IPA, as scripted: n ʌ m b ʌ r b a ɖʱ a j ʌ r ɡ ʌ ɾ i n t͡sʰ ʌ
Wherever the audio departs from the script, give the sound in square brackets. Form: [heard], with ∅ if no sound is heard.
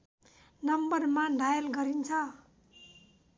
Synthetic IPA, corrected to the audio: n ʌ m b ʌ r [m] a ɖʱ a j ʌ [l] ɡ ʌ ɾ i n t͡sʰ ʌ